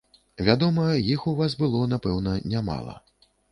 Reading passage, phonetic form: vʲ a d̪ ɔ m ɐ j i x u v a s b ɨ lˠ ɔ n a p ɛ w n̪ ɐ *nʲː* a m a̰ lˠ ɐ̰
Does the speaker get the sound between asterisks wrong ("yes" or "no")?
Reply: yes